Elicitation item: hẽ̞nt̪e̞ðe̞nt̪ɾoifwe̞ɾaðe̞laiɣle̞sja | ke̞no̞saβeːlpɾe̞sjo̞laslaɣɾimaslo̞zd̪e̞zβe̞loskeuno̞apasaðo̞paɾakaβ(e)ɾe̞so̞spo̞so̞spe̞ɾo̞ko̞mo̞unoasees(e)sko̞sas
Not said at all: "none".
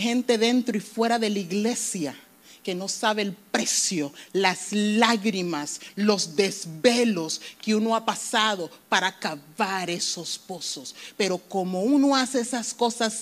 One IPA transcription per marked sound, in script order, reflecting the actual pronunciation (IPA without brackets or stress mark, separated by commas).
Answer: a, a